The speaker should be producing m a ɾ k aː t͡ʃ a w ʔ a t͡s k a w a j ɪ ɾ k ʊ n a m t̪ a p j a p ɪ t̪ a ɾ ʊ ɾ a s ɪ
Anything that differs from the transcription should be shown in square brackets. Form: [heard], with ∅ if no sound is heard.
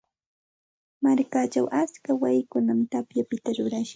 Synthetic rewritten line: m a ɾ k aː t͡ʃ a w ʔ a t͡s k a w a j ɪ [∅] k ʊ n a m t̪ a p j a p ɪ t̪ a ɾ ʊ ɾ a [ʃ] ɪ